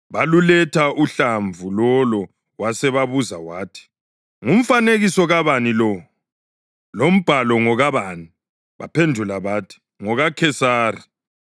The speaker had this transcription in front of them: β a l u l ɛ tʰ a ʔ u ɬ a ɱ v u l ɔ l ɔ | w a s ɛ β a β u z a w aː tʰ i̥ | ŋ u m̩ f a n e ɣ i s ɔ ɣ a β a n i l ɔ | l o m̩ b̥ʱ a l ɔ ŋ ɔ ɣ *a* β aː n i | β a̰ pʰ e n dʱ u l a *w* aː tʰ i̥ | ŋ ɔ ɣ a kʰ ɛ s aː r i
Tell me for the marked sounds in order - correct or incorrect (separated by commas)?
correct, incorrect